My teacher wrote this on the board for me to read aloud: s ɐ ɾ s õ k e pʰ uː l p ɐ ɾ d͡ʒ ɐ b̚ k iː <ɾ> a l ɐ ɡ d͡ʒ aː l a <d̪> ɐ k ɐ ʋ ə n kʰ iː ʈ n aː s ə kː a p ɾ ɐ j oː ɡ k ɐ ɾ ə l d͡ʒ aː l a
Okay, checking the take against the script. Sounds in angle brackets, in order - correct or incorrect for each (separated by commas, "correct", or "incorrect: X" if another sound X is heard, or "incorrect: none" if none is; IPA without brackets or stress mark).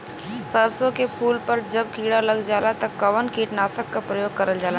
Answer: incorrect: ɽ, incorrect: t̪